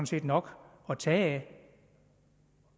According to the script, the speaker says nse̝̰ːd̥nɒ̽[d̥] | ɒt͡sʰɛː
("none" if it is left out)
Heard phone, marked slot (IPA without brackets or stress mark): ɡ̥